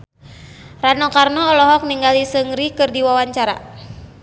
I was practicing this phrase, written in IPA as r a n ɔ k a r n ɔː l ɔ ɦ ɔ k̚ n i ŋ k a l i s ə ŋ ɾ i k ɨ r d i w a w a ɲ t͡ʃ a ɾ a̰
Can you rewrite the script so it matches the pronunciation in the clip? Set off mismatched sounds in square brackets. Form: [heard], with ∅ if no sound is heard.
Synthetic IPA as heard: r a n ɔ k a r n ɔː l ɔ ɦ ɔ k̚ n i ŋ [ɡ] a l i s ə ŋ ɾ i k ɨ r d i w a w a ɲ t͡ʃ a ɾ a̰